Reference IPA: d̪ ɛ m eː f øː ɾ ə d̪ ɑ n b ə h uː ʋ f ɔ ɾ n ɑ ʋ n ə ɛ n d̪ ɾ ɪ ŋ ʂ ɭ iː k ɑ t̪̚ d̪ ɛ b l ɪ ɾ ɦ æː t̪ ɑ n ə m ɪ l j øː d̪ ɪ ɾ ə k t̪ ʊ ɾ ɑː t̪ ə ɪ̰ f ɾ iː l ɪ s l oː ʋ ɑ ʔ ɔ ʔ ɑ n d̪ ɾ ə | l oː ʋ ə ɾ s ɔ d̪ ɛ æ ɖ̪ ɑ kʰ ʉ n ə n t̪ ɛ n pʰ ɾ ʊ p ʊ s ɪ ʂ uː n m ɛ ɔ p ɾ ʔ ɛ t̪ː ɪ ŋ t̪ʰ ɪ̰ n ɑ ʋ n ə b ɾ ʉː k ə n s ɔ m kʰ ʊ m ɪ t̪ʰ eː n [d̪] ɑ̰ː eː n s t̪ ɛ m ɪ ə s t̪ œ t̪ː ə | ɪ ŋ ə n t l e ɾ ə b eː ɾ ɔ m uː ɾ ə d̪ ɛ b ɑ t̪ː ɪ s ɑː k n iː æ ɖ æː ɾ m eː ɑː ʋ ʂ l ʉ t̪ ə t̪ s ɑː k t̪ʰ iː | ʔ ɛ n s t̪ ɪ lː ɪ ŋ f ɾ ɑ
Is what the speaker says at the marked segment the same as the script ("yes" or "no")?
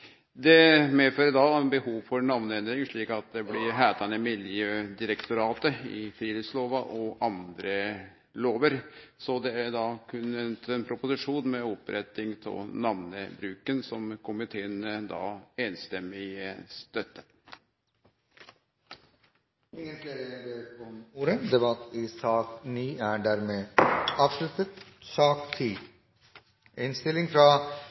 yes